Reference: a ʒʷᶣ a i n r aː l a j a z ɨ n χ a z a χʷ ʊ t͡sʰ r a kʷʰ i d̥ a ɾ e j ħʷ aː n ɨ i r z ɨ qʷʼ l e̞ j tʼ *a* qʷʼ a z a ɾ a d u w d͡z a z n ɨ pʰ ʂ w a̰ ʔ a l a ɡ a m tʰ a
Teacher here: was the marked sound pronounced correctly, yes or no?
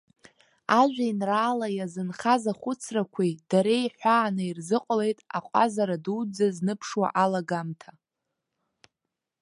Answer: yes